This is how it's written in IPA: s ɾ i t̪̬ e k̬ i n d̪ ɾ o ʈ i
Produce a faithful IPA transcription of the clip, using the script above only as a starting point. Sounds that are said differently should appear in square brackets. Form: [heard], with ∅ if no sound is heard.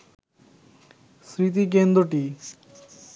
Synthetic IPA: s ɾ i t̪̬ [i] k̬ [e] n d̪ ɾ o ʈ i